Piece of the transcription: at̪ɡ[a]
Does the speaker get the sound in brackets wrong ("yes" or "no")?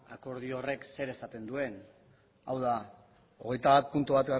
no